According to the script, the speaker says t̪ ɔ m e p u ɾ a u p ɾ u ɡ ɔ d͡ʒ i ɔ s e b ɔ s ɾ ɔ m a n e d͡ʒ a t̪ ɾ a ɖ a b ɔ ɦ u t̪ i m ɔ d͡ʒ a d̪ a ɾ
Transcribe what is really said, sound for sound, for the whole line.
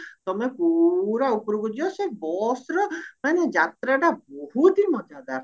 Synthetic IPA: t̪ ɔ m e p u ɾ a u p ɾ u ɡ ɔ d͡ʒ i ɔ s e b ɔ s ɾ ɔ m a n e d͡ʒ a t̪ ɾ a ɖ a b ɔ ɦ u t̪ i m ɔ d͡ʒ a d̪ a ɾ